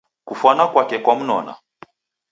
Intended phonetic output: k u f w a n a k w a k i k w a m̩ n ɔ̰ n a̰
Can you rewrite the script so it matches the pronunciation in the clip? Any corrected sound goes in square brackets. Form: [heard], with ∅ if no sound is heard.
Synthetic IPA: k u f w a n a k w a k [ɛ] k w a m̩ n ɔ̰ n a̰

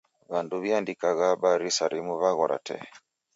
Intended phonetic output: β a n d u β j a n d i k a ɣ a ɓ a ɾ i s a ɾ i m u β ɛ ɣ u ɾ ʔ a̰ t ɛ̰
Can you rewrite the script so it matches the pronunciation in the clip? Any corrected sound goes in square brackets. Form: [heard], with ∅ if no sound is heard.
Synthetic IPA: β a n d u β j a n d i k a ɣ a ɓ a ɾ i s a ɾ i m u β [a] ɣ [ɔ] ɾ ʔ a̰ t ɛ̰

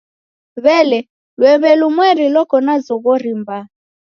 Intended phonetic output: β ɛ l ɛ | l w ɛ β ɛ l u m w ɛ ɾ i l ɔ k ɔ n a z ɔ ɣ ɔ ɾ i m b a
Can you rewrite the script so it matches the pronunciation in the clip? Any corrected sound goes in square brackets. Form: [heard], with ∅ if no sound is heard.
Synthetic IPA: β ɛ l ɛ | l w ɛ β ɛ l u m w ɛ ɾ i l ɔ k ɔ n a z ɔ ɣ ɔ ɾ i m b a

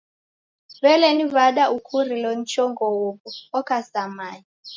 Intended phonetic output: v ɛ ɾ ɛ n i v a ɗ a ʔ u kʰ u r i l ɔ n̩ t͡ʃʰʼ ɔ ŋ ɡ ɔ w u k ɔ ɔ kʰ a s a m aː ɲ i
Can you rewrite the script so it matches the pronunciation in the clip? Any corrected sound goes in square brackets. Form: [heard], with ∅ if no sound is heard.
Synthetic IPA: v ɛ [l] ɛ n i v a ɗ a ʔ u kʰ u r i l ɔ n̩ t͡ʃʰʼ ɔ ŋ ɡ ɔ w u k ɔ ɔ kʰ a s a m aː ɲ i

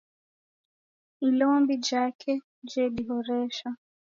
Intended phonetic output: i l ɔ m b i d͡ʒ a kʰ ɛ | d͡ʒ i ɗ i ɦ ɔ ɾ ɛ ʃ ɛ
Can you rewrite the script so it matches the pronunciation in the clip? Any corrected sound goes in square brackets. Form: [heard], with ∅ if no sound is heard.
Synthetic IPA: i l ɔ m b i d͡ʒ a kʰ ɛ | d͡ʒ [ɛ] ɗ i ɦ ɔ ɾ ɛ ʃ [a]

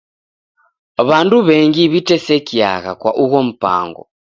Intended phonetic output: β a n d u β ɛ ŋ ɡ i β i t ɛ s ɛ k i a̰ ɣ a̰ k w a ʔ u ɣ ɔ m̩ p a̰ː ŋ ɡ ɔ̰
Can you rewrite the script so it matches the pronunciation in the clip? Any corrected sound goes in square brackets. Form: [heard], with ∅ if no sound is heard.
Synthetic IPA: β a n d u β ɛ ŋ ɡ i β i t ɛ s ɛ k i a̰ ɣ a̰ k w a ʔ u ɣ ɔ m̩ p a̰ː ŋ ɡ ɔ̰

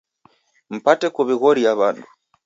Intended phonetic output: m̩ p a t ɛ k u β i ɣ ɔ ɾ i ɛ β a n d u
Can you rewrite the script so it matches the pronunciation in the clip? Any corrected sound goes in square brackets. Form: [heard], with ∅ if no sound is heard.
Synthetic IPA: m̩ p a t ɛ k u β i ɣ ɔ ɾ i [a] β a n d u

